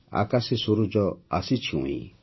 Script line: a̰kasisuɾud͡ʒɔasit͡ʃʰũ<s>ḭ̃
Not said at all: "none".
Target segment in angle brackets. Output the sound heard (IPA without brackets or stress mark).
none